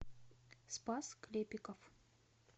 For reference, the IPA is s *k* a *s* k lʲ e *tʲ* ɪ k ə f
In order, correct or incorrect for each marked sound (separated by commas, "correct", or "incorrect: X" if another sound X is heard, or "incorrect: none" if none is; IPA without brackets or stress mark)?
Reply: incorrect: p, correct, incorrect: pʲ